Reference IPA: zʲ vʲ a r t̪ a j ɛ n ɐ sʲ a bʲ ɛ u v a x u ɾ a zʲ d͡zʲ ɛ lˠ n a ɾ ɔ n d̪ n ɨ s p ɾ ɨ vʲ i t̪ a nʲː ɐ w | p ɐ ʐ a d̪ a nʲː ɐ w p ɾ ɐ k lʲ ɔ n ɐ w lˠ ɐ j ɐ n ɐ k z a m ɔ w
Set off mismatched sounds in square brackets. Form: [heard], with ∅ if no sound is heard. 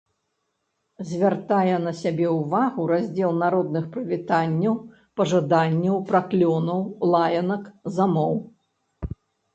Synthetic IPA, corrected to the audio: zʲ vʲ a r t̪ a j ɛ n ɐ sʲ a bʲ ɛ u v a [ɣ] u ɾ a zʲ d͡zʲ ɛ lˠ n a ɾ ɔ [∅] d̪ n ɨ [x] p ɾ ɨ vʲ i t̪ a nʲː ɐ w | p ɐ ʐ a d̪ a nʲː ɐ w p ɾ [a] k lʲ ɔ n ɐ w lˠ [a] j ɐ n ɐ k z a m ɔ w